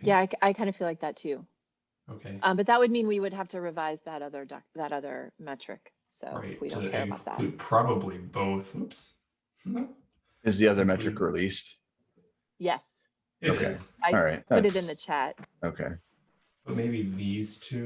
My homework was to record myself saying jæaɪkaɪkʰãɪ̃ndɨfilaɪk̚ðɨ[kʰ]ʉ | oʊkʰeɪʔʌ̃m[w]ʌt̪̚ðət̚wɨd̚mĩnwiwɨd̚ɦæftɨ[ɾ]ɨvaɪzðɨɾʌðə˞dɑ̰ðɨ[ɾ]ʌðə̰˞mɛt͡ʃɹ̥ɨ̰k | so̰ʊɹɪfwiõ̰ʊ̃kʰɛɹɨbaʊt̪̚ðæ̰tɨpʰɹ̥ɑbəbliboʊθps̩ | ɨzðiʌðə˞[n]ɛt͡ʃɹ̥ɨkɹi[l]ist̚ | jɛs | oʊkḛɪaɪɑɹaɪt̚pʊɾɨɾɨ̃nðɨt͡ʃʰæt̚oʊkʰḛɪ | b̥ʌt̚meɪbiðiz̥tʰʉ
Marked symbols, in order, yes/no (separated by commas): no, no, no, yes, no, yes